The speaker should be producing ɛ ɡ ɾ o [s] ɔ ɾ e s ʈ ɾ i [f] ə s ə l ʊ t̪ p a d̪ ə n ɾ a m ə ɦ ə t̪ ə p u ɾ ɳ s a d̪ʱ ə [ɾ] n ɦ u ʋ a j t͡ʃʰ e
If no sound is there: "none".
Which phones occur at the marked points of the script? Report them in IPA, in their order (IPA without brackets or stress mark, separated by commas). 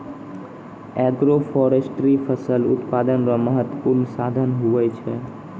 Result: f, f, none